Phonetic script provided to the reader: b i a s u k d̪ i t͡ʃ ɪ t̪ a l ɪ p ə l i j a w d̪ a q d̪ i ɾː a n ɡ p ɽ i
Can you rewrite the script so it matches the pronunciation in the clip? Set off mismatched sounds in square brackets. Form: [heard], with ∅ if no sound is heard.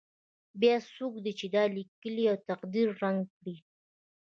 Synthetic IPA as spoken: b [j] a s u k d̪ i t͡ʃ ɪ [d̪] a l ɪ [k] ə l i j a w [t̪] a q d̪ i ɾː a [ŋ] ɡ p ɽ i